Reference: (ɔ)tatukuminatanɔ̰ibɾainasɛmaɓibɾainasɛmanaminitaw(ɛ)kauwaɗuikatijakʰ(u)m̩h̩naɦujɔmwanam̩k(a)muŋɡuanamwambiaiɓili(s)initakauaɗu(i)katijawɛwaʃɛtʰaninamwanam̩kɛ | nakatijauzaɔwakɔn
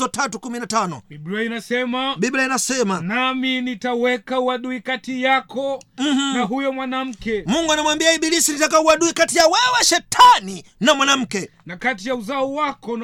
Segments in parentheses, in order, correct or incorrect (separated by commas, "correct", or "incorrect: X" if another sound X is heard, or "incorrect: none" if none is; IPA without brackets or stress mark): correct, correct, incorrect: ɔ, incorrect: ɛ, correct, correct